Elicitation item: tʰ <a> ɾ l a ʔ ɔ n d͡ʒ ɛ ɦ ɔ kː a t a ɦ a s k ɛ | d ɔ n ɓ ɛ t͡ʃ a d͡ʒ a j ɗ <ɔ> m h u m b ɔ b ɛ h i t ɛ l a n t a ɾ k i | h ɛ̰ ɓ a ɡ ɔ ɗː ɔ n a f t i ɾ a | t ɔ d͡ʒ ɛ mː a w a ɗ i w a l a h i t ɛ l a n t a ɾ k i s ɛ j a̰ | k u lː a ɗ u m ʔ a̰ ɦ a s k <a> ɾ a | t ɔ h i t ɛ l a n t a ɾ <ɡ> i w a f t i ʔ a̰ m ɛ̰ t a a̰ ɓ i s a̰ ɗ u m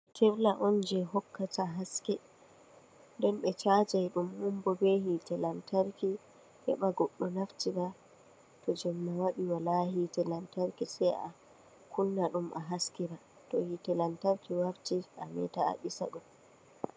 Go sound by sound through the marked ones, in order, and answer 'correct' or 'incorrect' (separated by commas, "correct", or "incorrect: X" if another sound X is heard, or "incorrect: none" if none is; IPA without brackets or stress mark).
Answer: incorrect: ɛ, incorrect: u, incorrect: i, incorrect: k